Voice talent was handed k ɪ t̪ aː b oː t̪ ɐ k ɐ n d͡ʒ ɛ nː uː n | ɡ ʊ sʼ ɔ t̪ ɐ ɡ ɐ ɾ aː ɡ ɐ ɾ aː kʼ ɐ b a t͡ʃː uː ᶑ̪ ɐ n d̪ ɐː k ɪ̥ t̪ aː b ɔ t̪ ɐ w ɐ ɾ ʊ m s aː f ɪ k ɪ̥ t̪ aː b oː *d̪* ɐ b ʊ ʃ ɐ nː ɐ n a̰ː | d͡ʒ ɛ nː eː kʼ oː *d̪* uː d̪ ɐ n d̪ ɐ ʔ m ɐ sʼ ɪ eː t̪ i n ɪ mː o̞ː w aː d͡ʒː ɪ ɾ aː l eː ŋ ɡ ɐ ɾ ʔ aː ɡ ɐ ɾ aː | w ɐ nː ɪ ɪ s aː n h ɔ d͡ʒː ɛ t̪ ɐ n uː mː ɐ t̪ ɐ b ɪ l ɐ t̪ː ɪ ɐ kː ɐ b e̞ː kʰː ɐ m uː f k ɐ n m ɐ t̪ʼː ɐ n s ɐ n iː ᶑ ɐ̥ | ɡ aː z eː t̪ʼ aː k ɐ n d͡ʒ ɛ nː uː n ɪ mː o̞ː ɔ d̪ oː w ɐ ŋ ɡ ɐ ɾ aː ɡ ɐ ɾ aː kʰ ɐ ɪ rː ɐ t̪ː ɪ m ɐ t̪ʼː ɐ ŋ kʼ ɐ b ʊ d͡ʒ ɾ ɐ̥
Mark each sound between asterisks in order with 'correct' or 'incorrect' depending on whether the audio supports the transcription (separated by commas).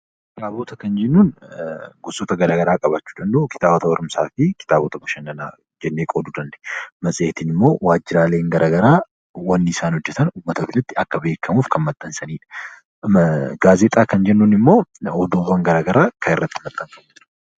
incorrect, correct